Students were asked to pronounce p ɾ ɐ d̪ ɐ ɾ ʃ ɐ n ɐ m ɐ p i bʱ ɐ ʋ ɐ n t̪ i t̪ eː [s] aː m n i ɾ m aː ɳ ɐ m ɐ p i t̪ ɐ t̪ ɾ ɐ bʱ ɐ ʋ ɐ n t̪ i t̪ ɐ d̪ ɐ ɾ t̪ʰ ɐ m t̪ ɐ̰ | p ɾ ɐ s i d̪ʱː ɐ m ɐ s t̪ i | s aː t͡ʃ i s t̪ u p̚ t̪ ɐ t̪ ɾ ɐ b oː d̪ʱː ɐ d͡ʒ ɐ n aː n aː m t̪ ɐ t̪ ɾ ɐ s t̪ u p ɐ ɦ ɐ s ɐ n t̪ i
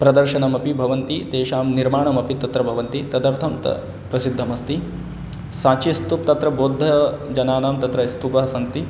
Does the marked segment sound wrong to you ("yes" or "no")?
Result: yes